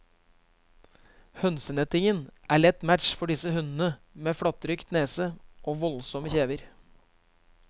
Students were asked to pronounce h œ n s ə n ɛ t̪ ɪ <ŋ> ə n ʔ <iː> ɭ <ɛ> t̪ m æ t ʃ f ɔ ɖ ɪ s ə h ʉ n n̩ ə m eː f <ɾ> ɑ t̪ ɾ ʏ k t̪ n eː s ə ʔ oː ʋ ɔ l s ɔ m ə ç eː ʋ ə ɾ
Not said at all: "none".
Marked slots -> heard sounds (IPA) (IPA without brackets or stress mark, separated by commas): ŋ, æː, ɛ, ɽ